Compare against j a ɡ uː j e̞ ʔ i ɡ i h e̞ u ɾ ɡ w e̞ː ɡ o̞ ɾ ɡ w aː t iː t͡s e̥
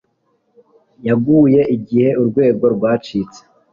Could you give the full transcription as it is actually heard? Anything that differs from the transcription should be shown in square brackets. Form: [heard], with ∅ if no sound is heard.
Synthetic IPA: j a ɡ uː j e̞ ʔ i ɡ i h e̞ u ɾ ɡ w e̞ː ɡ o̞ ɾ ɡ w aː [t͡ʃ] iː t͡s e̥